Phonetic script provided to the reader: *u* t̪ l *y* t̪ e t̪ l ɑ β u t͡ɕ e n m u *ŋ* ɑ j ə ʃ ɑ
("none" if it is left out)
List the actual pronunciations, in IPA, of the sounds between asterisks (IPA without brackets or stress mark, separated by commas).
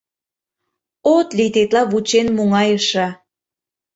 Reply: o, i, ŋ